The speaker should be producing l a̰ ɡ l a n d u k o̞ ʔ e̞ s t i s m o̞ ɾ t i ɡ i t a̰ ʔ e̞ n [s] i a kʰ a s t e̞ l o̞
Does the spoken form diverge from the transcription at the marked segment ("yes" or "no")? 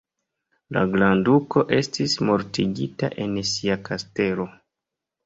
no